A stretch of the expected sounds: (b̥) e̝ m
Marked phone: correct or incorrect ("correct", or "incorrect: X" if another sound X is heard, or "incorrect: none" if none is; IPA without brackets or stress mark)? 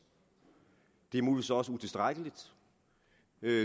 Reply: incorrect: d̥